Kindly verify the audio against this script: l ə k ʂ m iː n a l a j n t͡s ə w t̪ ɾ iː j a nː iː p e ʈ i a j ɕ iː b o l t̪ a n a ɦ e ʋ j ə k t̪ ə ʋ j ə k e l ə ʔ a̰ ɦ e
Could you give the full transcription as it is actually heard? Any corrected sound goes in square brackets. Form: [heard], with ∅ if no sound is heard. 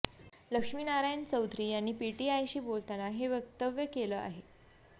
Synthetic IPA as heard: l ə k ʂ m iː n a [ɾ] a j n t͡s ə w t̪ ɾ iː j a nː iː p [i] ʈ i a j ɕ iː b o l t̪ a n a ɦ e ʋ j ə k t̪ ə ʋ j ə k e l ə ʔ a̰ ɦ e